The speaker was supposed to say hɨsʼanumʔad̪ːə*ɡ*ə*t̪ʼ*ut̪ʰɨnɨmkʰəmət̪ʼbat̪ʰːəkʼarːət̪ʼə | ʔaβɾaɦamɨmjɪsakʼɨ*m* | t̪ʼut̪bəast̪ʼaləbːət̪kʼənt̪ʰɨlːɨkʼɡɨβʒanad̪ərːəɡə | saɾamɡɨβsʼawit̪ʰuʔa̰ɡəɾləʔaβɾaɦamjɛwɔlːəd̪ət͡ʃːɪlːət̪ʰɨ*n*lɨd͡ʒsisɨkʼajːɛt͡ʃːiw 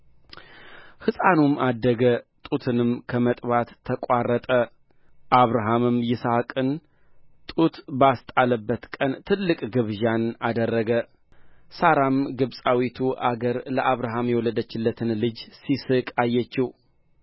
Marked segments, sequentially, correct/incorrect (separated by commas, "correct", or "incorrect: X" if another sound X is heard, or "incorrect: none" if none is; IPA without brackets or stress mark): correct, correct, incorrect: n, correct